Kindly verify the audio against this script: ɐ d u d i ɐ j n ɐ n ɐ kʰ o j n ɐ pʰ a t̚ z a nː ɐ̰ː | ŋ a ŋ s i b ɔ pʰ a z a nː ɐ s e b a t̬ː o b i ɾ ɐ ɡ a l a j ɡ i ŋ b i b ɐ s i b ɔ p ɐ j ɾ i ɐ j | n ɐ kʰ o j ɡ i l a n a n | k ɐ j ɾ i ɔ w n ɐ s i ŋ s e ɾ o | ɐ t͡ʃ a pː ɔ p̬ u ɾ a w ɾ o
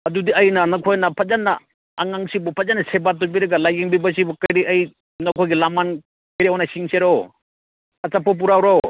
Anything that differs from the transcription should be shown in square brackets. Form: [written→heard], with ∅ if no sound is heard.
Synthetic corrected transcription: ɐ d u d i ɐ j n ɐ n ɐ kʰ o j n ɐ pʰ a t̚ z a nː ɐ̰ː | ŋ a ŋ s i b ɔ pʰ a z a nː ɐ s e b a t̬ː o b i ɾ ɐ ɡ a l a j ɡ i ŋ b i b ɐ s i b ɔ [p→k] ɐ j ɾ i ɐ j | n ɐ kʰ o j ɡ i l a [n→m] a n | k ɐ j ɾ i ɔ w n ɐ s i ŋ s e ɾ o | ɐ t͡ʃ a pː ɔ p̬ u ɾ a w ɾ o